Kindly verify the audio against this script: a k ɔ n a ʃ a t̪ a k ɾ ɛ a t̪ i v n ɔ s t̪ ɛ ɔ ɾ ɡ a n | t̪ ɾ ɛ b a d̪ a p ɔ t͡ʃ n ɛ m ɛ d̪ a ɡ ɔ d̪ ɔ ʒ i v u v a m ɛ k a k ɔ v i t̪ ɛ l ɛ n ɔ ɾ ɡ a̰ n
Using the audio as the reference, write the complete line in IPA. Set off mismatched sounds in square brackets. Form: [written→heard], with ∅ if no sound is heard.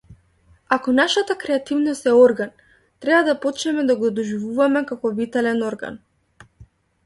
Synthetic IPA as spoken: a k ɔ n a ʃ a t̪ a k ɾ ɛ a t̪ i v n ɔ s t̪ ɛ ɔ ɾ ɡ a n | t̪ ɾ ɛ b a d̪ a p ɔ t͡ʃ n ɛ m ɛ d̪ a ɡ ɔ d̪ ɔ ʒ i v u v a m ɛ k a k ɔ v i t̪ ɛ l ɛ n ɔ ɾ ɡ a̰ n